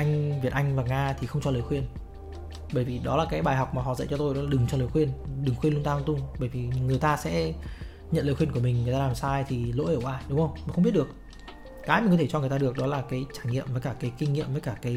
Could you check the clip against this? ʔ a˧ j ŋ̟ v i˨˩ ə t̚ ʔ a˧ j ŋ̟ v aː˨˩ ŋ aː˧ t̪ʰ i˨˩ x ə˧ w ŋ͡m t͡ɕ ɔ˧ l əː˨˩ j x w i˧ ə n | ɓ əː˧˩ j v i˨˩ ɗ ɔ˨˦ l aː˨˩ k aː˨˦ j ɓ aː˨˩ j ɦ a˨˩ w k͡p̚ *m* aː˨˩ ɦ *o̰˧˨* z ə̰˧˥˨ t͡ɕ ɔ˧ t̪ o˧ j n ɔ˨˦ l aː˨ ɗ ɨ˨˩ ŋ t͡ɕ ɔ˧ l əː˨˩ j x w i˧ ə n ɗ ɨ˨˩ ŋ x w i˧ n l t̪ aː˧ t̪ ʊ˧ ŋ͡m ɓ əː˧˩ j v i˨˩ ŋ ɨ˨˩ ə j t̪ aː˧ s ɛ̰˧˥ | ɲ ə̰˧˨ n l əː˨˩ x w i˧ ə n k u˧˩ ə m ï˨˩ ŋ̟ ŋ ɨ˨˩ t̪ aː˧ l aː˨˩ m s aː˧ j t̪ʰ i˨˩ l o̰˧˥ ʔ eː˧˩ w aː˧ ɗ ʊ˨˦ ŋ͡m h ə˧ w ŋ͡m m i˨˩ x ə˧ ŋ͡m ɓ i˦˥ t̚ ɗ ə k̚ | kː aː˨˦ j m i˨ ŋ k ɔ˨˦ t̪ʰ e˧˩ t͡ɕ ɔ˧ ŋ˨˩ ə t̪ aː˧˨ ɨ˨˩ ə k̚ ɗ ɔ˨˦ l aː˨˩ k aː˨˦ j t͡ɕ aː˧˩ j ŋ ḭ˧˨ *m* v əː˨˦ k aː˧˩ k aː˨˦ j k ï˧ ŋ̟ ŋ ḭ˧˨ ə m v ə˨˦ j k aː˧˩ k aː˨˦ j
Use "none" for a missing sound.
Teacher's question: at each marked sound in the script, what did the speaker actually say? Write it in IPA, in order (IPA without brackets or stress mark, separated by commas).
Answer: m, ɔ̰˧˨, m